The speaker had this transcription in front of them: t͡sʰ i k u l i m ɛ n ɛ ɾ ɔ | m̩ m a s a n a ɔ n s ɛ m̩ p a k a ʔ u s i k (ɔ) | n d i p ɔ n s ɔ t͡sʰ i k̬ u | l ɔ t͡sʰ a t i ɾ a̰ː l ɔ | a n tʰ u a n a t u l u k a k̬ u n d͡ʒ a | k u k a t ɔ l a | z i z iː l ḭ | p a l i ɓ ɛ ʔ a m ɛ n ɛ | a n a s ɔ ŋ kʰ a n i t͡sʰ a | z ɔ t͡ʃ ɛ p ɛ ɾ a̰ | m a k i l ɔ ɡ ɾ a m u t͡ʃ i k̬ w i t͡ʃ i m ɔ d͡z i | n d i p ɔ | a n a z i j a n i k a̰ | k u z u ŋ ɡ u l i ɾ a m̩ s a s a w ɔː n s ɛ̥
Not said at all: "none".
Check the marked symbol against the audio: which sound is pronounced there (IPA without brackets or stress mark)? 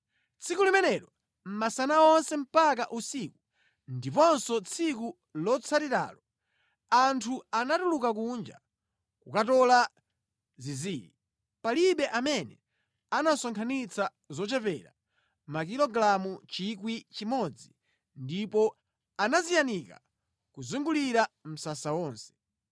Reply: u